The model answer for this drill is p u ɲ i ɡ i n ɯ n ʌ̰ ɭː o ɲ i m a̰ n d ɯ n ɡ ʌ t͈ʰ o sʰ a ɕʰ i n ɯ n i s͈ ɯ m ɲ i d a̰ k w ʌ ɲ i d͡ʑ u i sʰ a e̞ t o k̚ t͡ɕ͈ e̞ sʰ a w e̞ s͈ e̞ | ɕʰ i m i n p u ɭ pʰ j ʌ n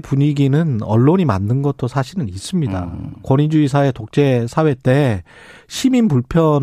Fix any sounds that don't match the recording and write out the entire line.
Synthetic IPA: p u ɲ i ɡ i n ɯ n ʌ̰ ɭː o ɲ i m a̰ n d ɯ n ɡ ʌ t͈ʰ o sʰ a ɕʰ i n ɯ n i s͈ ɯ m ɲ i d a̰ k w ʌ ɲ i d͡ʑ u i sʰ a e̞ t o k̚ t͡ɕ͈ e̞ sʰ a w e̞ t͈ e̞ | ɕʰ i m i n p u ɭ pʰ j ʌ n